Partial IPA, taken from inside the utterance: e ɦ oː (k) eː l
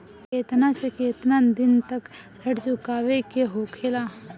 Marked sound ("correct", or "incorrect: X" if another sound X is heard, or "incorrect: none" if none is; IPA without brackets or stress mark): incorrect: kʰ